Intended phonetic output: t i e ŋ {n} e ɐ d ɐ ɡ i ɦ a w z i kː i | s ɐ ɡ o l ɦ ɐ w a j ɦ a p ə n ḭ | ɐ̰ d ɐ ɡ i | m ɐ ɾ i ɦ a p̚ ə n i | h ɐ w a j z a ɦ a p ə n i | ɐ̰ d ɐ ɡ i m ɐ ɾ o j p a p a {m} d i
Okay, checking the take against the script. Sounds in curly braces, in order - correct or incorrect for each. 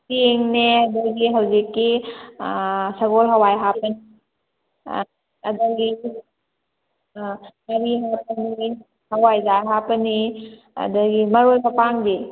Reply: correct, incorrect: ŋ

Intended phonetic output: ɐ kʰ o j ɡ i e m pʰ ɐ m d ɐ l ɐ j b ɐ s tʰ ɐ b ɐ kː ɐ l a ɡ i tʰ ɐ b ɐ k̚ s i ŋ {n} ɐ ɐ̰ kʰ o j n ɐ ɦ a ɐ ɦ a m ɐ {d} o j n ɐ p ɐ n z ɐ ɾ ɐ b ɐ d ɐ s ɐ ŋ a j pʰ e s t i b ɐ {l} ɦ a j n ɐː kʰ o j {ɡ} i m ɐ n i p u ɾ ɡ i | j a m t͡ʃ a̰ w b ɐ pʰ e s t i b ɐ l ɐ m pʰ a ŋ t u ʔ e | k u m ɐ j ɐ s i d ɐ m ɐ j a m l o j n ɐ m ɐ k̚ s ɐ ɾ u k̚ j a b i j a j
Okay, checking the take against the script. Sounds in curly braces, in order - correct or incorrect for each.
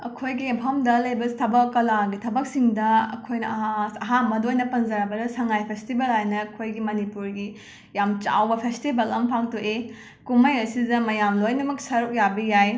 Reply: incorrect: d, correct, correct, correct

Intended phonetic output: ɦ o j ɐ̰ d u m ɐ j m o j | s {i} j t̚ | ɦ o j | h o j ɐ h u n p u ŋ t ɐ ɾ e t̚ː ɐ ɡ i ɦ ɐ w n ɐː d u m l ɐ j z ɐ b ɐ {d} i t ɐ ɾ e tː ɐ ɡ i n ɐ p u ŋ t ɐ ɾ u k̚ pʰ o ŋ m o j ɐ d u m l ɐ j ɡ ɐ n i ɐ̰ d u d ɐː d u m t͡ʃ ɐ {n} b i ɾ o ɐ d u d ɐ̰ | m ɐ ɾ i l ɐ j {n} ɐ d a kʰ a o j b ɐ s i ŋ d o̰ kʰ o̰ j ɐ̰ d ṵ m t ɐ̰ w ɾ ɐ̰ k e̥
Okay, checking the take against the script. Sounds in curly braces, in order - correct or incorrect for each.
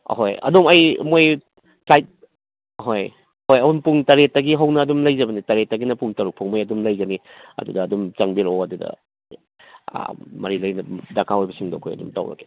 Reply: incorrect: a, incorrect: n, incorrect: ŋ, correct

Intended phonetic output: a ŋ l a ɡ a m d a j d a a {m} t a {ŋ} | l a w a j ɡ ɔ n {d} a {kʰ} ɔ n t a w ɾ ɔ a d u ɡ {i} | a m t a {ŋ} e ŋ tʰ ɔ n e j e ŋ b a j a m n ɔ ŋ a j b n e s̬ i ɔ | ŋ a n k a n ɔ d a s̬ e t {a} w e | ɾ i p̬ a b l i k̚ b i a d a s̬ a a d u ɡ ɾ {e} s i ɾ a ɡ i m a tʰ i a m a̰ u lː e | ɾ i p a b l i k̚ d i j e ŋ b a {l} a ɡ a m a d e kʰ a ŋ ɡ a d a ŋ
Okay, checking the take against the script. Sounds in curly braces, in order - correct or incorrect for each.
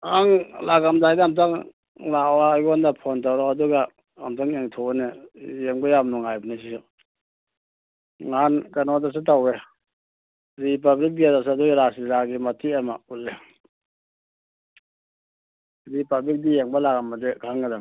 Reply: correct, correct, correct, incorrect: pʰ, incorrect: a, correct, correct, incorrect: a, correct

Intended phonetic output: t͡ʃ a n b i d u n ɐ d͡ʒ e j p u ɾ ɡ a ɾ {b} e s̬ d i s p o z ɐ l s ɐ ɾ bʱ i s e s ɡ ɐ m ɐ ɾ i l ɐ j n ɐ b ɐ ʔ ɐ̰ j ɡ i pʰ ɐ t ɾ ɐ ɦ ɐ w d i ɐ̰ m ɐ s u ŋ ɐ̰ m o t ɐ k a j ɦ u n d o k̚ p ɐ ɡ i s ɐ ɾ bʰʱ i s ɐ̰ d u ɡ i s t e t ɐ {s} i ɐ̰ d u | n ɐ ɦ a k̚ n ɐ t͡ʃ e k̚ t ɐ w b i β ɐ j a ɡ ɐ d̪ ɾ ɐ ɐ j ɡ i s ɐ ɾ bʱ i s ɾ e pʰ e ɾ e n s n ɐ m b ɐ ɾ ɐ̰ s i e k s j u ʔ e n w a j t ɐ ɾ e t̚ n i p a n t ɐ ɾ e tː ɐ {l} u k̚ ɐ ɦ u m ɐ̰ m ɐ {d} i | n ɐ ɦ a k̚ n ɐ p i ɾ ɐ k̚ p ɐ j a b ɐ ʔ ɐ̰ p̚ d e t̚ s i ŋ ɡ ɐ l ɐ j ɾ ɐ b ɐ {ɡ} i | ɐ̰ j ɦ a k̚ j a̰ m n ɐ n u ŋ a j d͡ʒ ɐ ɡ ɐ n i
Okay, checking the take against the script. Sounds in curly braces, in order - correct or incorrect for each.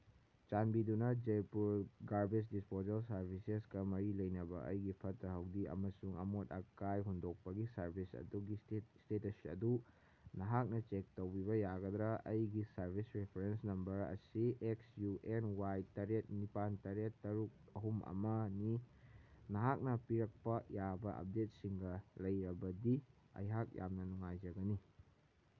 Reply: correct, correct, incorrect: ɾ, incorrect: n, incorrect: d

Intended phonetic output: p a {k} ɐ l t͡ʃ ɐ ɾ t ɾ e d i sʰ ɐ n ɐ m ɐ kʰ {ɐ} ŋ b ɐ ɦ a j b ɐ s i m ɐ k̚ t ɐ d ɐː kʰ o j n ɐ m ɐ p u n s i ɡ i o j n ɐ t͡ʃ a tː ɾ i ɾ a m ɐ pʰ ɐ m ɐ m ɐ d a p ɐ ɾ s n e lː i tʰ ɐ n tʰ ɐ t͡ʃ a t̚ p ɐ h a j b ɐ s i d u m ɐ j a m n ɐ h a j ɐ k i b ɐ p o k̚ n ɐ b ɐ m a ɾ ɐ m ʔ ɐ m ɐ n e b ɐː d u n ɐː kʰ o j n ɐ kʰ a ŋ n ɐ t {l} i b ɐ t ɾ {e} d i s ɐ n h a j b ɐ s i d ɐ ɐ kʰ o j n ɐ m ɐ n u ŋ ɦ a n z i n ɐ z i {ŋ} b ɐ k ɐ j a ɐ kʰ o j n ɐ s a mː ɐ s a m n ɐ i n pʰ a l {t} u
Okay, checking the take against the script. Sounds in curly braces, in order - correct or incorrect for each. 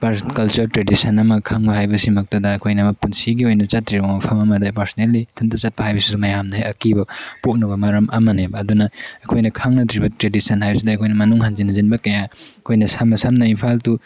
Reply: correct, incorrect: a, incorrect: ɾ, correct, incorrect: n, correct

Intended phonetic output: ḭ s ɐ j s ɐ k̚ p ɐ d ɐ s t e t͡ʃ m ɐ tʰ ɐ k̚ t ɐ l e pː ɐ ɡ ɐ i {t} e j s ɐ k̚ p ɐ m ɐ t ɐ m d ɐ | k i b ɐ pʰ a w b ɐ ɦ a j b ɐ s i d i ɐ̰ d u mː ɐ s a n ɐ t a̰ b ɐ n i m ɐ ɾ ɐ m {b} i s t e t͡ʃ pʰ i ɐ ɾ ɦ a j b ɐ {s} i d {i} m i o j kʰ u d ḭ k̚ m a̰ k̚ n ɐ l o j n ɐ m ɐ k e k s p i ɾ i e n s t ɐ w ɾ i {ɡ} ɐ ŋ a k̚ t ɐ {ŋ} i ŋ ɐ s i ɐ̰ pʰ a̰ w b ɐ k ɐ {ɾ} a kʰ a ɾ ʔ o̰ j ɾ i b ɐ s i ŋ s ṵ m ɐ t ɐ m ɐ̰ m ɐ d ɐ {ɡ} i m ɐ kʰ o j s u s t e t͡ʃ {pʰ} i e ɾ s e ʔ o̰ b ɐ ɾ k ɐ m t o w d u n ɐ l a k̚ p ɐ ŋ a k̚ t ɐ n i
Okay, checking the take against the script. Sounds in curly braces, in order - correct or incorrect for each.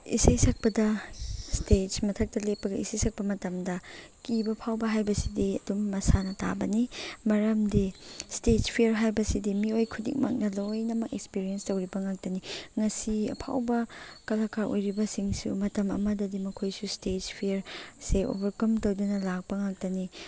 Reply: incorrect: s, incorrect: d, correct, correct, incorrect: b, incorrect: n, incorrect: l, incorrect: d, correct

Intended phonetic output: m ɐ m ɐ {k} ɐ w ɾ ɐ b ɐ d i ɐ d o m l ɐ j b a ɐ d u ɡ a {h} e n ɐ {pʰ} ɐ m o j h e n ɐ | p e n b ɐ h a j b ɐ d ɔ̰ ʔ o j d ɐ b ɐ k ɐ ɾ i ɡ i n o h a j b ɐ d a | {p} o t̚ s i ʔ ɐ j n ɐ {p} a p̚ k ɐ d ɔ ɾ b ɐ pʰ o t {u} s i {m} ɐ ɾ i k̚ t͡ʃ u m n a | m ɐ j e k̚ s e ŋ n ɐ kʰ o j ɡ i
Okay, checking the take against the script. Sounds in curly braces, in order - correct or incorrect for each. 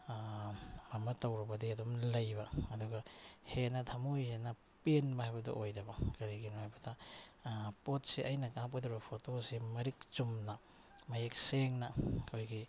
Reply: incorrect: t, correct, incorrect: tʰ, correct, incorrect: k, incorrect: o, correct

